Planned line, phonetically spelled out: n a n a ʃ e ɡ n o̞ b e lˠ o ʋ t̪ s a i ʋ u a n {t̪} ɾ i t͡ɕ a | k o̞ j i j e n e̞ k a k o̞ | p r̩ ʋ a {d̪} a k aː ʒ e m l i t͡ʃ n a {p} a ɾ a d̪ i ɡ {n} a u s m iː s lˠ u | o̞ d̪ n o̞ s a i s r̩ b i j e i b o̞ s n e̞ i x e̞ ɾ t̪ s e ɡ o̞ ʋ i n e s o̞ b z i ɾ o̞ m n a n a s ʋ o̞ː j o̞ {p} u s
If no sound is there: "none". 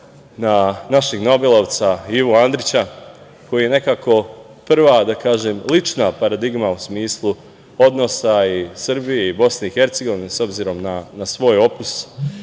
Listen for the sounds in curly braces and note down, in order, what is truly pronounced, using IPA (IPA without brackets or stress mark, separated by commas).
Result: d̪, d̪, p, m, p